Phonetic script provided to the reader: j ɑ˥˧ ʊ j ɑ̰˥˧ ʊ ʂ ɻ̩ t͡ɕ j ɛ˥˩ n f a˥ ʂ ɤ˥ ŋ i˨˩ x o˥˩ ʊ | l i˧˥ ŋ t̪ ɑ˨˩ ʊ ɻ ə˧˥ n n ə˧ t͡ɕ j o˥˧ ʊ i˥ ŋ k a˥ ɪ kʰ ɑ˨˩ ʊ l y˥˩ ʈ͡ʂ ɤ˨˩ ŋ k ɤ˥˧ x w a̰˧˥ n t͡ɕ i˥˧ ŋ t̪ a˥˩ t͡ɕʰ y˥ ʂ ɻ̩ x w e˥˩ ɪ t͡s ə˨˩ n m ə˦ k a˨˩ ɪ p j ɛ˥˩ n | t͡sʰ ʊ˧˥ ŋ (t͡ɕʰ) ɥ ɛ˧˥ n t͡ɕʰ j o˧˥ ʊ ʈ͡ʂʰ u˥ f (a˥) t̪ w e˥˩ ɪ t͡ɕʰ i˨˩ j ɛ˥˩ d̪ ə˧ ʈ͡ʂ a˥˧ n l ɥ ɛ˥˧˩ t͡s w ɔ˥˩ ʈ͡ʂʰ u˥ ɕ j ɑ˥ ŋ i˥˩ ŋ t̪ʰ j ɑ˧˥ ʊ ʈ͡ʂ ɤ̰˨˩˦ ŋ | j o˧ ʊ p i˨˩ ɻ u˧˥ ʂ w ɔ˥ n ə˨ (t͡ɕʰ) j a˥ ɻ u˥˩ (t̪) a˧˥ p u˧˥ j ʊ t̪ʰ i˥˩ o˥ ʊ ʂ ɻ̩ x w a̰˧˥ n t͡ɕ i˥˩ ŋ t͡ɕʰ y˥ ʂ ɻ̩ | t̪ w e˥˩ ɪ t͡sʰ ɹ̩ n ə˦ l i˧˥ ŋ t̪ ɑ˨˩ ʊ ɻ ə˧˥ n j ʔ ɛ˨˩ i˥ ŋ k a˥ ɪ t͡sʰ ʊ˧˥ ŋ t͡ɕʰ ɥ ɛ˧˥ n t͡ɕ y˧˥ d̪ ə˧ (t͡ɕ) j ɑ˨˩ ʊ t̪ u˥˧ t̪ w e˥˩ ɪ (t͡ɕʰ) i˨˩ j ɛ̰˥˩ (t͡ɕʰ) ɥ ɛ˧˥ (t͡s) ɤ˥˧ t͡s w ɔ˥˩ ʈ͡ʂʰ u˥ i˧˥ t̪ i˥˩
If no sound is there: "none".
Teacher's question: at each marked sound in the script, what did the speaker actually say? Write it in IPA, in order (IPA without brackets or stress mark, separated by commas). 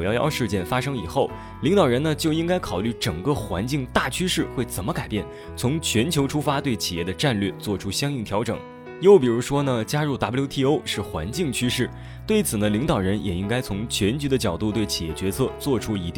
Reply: t͡ɕʰ, a˥, t͡ɕ, t̪, t͡ɕ, t͡ɕʰ, t͡ɕ, t͡sʰ